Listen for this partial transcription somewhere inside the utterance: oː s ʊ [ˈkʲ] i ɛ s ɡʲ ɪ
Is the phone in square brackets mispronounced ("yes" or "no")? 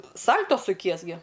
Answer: no